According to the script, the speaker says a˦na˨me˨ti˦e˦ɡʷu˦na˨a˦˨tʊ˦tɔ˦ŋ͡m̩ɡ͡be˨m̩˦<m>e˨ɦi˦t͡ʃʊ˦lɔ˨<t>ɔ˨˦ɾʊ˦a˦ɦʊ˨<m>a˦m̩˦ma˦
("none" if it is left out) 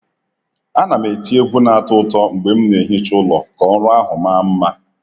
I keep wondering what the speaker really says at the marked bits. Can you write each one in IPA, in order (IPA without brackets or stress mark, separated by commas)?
n, k, m